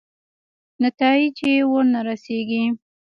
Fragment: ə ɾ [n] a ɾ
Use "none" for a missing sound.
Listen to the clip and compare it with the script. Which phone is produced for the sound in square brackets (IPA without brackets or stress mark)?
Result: n